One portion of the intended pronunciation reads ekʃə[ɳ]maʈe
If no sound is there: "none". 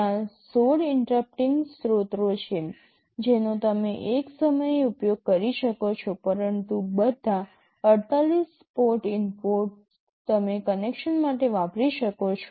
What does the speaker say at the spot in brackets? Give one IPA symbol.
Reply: n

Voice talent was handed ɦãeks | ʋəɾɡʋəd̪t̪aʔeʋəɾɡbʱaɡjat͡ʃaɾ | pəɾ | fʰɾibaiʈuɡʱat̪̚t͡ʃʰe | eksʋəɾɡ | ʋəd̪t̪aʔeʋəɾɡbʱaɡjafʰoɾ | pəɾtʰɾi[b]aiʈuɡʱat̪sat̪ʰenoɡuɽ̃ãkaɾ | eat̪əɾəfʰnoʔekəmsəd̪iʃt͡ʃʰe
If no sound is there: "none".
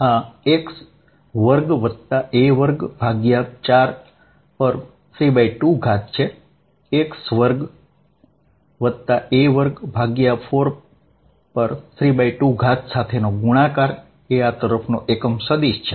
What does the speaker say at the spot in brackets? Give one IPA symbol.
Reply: b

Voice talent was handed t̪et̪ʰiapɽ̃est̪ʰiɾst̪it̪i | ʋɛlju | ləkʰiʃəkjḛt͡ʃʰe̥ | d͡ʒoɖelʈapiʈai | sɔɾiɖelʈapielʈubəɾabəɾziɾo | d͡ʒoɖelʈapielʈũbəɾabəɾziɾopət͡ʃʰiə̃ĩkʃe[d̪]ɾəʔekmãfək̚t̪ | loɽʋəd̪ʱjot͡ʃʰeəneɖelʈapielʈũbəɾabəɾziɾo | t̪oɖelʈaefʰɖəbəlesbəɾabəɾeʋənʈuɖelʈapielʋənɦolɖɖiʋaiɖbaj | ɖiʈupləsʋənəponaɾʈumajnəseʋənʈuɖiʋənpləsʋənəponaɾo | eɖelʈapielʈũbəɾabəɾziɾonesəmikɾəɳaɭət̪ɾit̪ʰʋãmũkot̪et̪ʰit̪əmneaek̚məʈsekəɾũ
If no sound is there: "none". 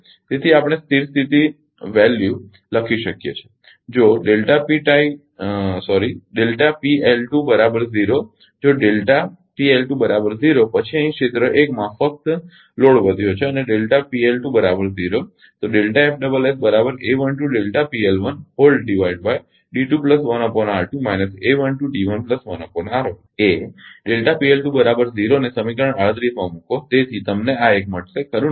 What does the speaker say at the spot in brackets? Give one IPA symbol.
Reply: t̪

